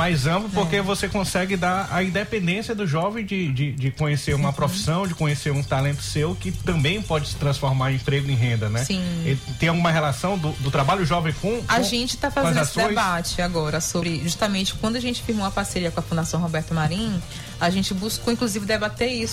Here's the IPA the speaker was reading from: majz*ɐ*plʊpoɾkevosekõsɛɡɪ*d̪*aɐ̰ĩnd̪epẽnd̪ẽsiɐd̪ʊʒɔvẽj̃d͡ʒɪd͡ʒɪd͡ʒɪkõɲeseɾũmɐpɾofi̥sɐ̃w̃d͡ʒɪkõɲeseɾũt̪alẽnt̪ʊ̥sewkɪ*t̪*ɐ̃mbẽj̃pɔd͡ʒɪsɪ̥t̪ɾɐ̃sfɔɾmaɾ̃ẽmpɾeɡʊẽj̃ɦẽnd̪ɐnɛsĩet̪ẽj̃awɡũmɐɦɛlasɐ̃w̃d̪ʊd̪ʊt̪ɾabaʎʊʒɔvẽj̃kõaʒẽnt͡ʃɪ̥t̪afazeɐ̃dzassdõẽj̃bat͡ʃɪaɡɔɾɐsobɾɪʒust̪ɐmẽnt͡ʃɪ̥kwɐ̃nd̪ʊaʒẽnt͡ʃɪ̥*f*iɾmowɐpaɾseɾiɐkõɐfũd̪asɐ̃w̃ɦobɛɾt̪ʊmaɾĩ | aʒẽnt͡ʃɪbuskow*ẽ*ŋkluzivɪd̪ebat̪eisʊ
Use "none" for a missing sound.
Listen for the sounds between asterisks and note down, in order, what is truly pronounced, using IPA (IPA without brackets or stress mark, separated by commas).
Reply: ɐ̃, d̪, t̪, f, ĩ